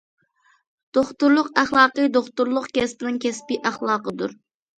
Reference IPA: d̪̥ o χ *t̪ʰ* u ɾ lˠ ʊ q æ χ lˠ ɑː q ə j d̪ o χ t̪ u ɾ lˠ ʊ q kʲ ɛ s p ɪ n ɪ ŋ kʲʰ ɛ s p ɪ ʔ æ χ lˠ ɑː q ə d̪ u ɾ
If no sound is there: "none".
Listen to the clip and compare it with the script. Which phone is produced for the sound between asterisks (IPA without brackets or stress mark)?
t̪